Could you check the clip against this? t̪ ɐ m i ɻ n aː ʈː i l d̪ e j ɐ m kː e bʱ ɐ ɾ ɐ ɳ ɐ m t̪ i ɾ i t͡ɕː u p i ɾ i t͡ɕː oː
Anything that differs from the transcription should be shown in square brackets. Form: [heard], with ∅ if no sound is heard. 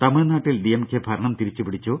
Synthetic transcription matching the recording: t̪ ɐ m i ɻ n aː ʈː i l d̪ [i] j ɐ m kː e bʱ ɐ ɾ ɐ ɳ ɐ m t̪ i ɾ i t͡ɕː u p i [ɽ] i t͡ɕː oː